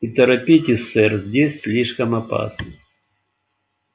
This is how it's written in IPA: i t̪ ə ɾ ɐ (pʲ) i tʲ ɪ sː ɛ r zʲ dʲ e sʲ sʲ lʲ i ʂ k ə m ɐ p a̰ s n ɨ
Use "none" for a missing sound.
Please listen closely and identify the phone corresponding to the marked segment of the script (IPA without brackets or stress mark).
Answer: pʲ